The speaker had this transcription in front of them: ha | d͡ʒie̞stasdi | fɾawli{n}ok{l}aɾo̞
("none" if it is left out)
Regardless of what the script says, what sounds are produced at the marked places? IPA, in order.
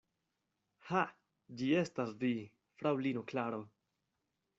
n, l

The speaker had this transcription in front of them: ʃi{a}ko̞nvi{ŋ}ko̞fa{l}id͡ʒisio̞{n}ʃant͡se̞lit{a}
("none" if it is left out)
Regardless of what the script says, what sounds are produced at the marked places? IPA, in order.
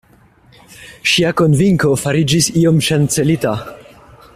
a, ŋ, ɾ, m, a

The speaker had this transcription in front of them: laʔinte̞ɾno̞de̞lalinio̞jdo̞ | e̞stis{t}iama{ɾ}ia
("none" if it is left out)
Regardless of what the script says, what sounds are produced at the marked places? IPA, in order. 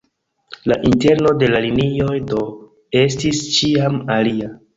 t͡ʃ, l

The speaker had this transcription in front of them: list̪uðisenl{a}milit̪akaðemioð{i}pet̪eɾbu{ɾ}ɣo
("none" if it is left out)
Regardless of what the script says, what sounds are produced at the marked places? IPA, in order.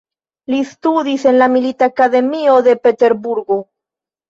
a, e, ɾ

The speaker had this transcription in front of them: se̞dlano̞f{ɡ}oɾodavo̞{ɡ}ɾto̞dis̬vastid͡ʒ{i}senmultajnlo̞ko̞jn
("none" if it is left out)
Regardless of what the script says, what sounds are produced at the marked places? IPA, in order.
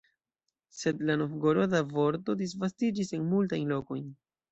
ɡ, none, i

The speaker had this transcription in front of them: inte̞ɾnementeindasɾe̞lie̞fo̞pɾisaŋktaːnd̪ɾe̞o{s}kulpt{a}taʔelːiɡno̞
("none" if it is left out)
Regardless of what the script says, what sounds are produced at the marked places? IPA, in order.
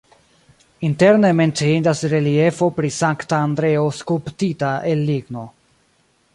s, i

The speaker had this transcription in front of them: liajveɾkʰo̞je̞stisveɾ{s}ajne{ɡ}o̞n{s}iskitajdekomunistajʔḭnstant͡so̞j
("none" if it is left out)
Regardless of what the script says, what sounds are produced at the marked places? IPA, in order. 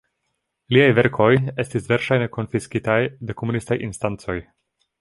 ʃ, k, f

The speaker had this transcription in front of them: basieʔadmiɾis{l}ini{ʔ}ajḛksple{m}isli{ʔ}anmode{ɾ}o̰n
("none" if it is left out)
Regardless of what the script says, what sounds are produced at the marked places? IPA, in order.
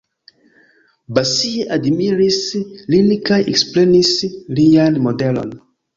l, k, n, none, l

